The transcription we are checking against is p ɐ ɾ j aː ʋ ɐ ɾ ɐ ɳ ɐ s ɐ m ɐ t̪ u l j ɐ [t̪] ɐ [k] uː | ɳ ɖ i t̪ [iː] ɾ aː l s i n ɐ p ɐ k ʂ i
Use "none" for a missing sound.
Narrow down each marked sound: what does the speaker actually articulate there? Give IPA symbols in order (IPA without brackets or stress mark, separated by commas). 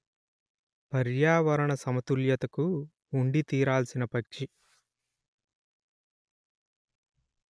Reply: t̪, k, iː